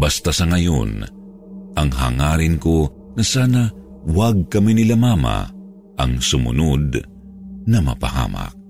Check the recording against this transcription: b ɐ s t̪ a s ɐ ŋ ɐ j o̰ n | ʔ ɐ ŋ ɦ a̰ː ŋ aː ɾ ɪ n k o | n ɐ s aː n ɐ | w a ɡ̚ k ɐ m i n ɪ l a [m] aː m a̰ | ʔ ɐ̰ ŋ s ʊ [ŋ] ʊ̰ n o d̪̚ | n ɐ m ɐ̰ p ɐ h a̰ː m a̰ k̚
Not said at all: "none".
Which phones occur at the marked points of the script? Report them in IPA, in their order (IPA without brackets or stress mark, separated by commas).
m, m